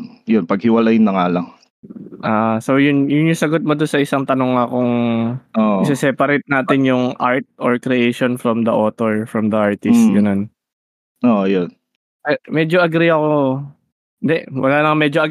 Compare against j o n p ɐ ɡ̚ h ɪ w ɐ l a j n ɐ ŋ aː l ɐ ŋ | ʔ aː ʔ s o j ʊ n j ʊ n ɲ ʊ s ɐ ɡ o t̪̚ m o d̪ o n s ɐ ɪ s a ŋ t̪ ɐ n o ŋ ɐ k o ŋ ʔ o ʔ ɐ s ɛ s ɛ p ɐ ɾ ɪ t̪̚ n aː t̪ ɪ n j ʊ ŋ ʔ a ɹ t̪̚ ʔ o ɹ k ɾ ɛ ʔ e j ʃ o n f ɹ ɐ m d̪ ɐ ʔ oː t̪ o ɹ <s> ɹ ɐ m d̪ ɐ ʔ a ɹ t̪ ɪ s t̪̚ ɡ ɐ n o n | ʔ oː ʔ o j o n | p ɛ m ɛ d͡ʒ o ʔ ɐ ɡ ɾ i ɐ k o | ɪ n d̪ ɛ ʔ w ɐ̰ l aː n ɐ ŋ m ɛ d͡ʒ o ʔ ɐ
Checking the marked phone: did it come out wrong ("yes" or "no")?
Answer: yes